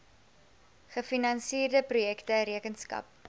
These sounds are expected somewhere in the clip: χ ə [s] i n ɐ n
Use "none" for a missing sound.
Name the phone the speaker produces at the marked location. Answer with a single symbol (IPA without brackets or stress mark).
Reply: f